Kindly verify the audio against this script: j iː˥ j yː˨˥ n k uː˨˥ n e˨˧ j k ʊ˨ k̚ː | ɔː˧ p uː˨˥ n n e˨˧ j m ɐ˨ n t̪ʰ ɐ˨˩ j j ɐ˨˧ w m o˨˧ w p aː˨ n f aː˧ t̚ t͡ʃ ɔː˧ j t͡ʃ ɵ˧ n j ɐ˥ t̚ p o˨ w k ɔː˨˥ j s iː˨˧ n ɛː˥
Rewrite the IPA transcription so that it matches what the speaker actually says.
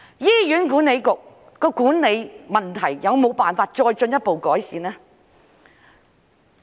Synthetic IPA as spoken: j iː˥ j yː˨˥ n k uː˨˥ n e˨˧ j k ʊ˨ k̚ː | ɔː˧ k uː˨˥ n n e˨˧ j m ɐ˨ n t̪ʰ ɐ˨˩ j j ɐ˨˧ w m o˨˧ w p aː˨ n f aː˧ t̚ t͡ʃ ɔː˧ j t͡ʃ ɵ˧ n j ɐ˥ t̚ p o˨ w k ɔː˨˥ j s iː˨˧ n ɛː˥

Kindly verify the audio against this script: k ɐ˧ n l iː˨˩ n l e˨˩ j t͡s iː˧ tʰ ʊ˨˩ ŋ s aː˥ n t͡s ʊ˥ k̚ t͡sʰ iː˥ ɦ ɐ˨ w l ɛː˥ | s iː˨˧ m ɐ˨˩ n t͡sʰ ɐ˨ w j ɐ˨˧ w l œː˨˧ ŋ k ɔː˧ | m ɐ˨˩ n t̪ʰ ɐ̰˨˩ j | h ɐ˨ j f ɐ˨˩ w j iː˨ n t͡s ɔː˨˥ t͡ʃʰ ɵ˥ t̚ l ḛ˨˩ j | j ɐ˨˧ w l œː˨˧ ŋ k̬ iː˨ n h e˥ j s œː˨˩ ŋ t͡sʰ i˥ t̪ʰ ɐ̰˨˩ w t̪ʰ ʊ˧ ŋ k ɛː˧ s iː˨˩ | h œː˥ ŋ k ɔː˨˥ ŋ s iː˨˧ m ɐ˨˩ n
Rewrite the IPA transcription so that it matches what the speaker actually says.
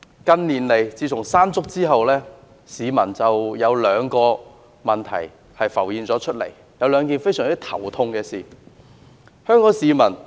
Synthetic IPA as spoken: k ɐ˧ n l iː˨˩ n l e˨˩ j t͡s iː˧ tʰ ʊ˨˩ ŋ s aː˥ n t͡s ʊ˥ k̚ t͡s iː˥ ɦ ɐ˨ w l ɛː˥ | s iː˨˧ m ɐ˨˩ n t͡s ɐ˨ w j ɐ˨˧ w l œː˨˧ ŋ k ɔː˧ | m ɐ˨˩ n t̪ʰ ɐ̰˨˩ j | h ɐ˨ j f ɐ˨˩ w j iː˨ n t͡s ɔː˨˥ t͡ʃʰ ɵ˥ t̚ l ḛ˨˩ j | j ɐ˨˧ w l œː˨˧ ŋ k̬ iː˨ n f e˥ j s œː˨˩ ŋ t͡s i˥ t̪ʰ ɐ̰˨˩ w t̪ʰ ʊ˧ ŋ k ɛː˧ s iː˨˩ | h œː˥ ŋ k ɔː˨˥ ŋ s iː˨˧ m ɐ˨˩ n

